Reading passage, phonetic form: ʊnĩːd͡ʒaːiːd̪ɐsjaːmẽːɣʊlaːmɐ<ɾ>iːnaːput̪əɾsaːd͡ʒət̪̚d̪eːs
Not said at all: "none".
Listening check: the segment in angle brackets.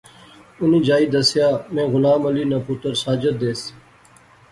l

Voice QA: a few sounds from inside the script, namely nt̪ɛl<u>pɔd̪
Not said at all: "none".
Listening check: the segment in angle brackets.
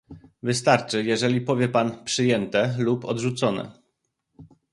u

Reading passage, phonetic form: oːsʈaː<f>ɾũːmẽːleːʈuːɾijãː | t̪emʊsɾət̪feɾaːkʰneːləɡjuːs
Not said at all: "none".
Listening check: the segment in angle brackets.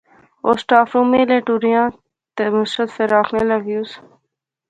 f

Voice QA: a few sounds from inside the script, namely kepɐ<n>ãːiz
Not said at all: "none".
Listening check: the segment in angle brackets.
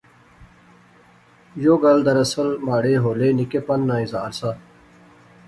nː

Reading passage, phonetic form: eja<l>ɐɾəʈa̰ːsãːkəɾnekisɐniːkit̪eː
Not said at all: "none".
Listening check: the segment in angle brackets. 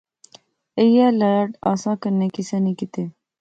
l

